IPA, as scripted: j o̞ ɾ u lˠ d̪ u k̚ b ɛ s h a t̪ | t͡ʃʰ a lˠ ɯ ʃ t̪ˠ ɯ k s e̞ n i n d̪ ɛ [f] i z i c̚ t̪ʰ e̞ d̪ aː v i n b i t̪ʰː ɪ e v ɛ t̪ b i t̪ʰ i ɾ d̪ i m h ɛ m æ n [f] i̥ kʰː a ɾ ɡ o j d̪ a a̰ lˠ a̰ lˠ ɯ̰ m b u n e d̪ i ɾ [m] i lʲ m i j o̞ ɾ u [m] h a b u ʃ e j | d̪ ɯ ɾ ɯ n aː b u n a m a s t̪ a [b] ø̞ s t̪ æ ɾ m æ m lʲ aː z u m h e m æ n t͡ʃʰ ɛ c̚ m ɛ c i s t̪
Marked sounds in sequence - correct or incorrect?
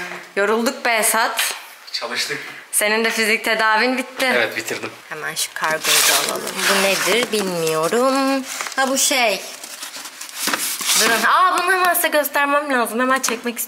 correct, incorrect, incorrect, correct, incorrect

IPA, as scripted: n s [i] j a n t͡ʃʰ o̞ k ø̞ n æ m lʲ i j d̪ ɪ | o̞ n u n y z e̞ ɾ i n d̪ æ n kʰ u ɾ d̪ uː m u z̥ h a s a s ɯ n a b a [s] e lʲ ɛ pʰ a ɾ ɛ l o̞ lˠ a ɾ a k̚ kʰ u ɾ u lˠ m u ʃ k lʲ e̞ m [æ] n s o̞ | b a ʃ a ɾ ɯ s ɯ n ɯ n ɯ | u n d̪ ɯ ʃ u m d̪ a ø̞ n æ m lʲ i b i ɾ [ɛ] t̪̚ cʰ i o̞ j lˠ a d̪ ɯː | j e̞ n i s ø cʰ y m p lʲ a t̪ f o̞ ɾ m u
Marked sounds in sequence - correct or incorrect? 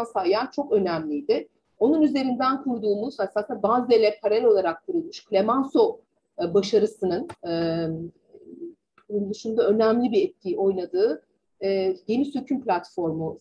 incorrect, incorrect, incorrect, correct

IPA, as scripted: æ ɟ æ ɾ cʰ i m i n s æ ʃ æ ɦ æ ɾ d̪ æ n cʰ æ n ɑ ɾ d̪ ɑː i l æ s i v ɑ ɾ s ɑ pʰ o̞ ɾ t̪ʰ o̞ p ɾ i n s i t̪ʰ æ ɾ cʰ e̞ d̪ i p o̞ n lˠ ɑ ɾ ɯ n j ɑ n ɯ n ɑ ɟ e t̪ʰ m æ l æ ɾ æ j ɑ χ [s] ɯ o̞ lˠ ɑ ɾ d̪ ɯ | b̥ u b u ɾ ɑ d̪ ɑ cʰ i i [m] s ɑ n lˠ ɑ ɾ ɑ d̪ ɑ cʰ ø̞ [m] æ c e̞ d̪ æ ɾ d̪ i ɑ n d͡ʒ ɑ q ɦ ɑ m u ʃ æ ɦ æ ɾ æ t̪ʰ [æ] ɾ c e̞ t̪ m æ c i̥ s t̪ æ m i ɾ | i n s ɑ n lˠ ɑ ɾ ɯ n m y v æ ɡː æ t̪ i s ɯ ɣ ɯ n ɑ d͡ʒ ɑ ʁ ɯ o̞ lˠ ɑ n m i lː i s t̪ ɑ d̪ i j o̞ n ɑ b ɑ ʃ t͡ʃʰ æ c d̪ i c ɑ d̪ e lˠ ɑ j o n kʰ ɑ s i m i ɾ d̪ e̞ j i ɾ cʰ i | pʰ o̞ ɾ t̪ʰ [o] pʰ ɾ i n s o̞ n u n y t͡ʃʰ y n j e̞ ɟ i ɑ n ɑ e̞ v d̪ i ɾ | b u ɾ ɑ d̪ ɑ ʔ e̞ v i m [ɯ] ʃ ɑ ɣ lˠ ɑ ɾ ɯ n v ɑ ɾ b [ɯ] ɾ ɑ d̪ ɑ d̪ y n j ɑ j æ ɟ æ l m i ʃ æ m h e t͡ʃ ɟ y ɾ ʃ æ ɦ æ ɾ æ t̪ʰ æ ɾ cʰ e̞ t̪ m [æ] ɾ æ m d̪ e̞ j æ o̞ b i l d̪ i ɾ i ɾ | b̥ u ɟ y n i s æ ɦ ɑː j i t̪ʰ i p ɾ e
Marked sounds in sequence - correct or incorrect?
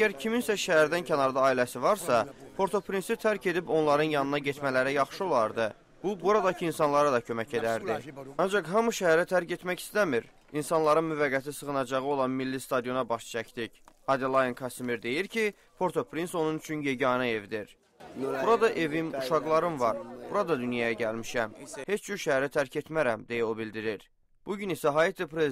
incorrect, incorrect, correct, correct, correct, incorrect, incorrect, correct

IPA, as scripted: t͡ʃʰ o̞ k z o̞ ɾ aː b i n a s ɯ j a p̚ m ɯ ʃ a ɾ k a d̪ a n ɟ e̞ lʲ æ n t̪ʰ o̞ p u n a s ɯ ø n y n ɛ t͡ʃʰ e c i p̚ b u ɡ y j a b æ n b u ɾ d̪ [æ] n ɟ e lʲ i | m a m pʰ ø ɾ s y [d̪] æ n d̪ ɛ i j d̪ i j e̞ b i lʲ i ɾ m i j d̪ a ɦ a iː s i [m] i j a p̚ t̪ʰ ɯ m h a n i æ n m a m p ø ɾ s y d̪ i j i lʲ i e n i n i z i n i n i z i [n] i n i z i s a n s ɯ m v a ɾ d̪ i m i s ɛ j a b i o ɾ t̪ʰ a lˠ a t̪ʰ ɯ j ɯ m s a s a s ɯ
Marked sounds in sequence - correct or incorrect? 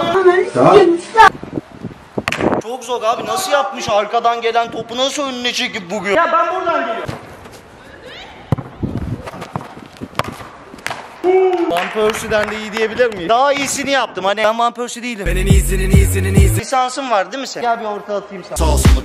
incorrect, correct, incorrect, correct

